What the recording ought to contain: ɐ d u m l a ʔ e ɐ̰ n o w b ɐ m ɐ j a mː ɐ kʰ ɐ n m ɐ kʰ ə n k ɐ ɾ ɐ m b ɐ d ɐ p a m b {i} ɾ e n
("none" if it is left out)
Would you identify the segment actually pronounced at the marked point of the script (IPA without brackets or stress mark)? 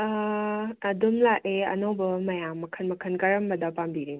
i